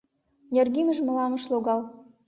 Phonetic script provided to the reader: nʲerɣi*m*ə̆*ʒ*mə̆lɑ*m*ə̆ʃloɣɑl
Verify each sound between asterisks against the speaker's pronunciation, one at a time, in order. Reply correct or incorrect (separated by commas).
correct, correct, correct